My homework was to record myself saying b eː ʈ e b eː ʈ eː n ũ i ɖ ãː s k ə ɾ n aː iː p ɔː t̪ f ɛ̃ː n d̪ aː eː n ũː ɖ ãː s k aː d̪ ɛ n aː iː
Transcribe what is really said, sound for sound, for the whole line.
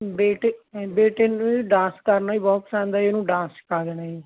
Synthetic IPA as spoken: b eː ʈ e b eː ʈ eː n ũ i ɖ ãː s k ə ɾ n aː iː b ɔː t̪ s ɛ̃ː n d̪ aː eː n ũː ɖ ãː s k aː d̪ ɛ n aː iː